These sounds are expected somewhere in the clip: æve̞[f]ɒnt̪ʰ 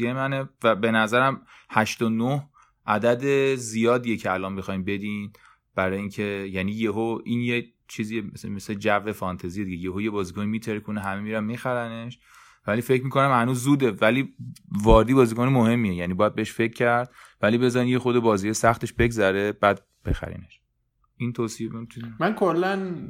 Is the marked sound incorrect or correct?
correct